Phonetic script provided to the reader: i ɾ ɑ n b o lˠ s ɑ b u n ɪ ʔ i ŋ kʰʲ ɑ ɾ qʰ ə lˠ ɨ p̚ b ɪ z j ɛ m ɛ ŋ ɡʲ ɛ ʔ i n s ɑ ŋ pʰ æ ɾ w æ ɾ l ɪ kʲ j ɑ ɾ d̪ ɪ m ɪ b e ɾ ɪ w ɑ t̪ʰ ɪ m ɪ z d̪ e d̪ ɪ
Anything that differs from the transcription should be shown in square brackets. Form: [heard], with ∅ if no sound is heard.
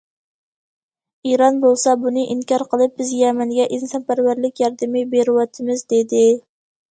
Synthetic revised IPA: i ɾ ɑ n b o lˠ s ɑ b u n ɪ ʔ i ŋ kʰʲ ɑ ɾ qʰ ə lˠ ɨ p̚ b ɪ z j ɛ m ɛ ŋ ɡʲ ɛ ʔ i n s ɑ [n] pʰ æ ɾ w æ ɾ l ɪ kʲ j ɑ ɾ d̪ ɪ m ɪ b e ɾ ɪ w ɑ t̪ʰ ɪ m ɪ z d̪ e d̪ ɪ